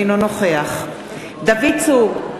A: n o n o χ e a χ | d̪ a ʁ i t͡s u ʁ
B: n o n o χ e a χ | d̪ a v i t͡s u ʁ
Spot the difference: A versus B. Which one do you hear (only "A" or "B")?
B